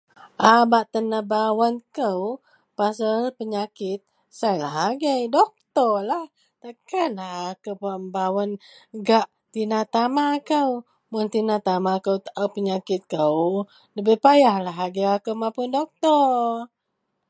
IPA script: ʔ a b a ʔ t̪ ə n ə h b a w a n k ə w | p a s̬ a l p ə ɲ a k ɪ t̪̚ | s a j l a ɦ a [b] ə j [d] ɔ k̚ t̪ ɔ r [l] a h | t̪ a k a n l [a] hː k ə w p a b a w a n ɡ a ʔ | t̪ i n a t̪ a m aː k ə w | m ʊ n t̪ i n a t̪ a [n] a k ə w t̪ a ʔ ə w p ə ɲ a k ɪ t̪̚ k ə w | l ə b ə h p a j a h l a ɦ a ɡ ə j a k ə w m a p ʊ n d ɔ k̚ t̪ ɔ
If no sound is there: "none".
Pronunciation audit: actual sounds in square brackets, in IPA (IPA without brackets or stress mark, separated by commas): ɡ, d, l, a, m